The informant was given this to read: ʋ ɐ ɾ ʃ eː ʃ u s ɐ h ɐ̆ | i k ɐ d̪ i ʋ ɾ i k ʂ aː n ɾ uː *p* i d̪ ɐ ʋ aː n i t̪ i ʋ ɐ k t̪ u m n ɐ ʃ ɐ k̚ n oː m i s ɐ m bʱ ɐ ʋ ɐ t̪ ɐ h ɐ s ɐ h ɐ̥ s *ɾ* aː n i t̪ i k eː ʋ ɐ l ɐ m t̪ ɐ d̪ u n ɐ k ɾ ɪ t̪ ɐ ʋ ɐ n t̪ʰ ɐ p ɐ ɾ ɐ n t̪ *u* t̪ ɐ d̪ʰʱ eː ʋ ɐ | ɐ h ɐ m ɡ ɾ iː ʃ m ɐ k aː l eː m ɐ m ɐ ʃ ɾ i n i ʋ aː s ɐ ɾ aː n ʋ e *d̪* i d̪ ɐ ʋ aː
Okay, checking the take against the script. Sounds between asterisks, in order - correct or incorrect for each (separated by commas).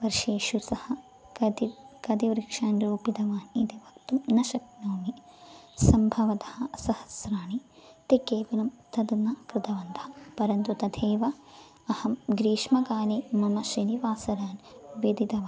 correct, correct, correct, correct